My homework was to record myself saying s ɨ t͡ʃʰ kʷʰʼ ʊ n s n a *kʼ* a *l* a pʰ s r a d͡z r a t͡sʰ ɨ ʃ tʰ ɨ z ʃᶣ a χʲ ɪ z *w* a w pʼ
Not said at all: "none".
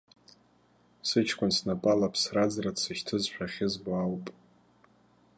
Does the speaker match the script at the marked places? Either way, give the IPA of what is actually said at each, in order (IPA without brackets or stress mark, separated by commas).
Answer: pʼ, l, b